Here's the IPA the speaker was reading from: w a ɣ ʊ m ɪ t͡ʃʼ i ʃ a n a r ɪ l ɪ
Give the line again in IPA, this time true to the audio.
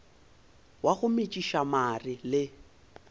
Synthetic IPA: w a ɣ ʊ m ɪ t͡ʃʼ i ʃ a m a r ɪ l ɪ